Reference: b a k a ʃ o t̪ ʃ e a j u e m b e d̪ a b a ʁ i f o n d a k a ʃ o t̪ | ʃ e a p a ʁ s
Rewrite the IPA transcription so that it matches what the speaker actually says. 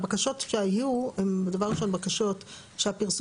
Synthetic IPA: b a k a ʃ o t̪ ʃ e a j u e m b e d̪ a v a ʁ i ʃ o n b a k a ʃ o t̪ | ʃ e a p i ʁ s